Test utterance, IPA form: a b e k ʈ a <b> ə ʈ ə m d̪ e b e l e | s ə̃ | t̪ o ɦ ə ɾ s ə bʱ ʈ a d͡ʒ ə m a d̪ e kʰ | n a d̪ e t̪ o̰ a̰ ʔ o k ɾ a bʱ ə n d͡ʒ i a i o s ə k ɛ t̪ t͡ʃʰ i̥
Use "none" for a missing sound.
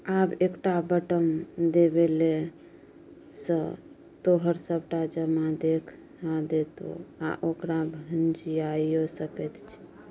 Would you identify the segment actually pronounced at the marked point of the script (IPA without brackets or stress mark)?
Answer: b